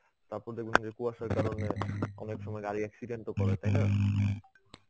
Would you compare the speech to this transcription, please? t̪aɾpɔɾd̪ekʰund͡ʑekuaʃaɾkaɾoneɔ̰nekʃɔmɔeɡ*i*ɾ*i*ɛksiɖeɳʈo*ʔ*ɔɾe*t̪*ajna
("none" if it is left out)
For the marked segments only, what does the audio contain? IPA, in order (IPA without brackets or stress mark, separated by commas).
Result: a, i, k, t̪